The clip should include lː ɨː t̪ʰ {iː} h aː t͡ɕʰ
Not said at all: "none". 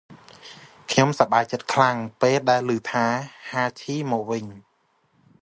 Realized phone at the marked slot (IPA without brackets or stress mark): aː